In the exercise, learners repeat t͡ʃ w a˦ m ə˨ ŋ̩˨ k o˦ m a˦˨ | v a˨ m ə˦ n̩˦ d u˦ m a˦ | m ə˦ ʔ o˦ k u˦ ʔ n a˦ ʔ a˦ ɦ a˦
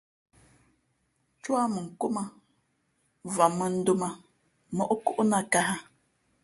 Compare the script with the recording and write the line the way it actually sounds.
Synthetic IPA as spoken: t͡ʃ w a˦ m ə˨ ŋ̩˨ k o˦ m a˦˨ | v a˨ m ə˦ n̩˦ d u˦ m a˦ | m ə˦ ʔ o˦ k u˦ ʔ n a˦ k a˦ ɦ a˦